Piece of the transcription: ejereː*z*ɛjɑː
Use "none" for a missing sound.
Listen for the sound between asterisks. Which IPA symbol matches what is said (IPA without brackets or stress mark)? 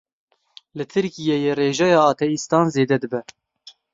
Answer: ʒ